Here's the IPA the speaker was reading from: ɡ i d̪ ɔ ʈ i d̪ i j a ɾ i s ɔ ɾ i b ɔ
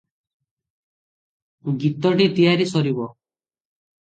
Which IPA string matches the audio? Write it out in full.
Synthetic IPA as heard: ɡ i t̪ ɔ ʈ i t̪ i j a ɾ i s ɔ ɾ i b ɔ